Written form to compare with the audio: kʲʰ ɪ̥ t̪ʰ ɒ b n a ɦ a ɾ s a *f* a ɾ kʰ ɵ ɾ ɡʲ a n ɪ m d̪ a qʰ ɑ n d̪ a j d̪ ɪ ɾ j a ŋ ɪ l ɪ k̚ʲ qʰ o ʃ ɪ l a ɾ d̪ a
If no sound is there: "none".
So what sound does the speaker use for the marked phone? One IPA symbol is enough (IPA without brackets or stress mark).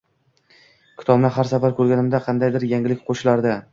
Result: f